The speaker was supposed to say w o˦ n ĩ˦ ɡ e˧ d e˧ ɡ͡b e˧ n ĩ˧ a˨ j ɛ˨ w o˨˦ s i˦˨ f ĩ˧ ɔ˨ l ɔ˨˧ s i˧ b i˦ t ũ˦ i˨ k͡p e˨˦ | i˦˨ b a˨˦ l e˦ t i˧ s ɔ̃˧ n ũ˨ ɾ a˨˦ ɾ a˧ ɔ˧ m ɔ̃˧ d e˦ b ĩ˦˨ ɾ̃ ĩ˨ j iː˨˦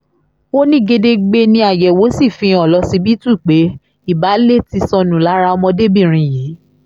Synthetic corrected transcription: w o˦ n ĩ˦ ɡ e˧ d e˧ ɡ͡b e˧ n ĩ˧ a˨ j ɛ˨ w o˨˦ s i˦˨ f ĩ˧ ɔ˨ l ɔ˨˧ s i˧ b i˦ t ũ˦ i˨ k͡p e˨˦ | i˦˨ b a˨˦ l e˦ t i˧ s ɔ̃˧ n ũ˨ l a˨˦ ɾ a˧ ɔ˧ m ɔ̃˧ d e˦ b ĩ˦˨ ɾ̃ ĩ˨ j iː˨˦